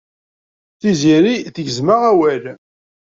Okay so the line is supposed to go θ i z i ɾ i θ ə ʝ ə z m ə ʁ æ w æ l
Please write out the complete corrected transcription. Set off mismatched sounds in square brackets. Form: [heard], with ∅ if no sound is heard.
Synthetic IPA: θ i z i ɾ i θ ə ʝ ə z m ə ʁ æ w æ l